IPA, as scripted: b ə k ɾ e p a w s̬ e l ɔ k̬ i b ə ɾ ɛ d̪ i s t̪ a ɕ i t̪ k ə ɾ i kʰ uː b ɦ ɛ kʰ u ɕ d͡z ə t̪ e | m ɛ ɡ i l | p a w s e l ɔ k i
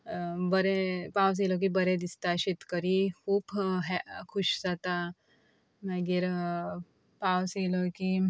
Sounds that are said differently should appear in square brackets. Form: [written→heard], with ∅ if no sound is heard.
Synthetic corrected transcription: b ə [k→∅] ɾ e p a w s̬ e l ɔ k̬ i b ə ɾ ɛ d̪ i s t̪ a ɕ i t̪ k ə ɾ i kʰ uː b ɦ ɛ kʰ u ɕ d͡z [ə→a] t̪ [e→a] | m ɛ ɡ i [l→ɾ] | p a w s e l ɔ k i